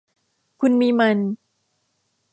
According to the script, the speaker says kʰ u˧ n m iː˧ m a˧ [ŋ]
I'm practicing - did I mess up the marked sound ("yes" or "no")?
yes